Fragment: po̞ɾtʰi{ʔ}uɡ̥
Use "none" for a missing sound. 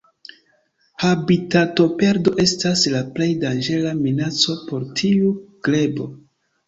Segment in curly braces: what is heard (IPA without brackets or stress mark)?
none